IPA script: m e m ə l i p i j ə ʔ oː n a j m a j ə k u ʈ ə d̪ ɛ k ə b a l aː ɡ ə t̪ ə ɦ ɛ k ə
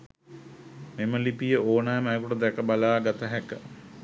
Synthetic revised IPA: m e m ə l i p i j ə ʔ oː n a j m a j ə k u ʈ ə d̪ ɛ k ə b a l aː ɡ a t̪ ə ɦ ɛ k ə